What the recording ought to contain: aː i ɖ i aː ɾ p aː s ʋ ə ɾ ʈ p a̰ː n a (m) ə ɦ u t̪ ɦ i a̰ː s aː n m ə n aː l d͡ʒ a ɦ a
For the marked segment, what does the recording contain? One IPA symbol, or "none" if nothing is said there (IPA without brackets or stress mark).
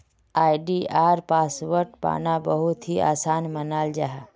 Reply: b